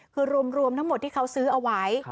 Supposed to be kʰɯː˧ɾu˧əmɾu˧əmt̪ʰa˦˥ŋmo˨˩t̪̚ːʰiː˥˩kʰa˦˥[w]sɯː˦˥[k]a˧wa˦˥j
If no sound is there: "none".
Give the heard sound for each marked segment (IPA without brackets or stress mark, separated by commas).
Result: w, ʔ